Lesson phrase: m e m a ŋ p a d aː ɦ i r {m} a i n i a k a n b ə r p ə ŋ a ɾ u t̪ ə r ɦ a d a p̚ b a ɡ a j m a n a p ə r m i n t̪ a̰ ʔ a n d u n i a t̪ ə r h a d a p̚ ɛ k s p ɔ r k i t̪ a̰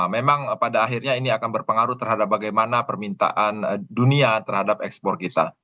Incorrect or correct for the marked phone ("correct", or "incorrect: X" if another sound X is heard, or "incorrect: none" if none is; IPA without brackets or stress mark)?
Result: incorrect: ɲ